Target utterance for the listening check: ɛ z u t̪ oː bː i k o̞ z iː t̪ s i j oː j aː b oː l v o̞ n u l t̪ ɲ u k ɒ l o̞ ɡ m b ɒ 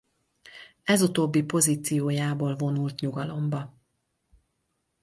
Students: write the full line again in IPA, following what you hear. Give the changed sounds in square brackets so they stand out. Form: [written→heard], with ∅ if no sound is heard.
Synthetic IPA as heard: ɛ z u t̪ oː bː i [k→p] o̞ z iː t̪ s i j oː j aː b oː l v o̞ n u l t̪ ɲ u [k→ɡ] ɒ l o̞ [ɡ→∅] m b ɒ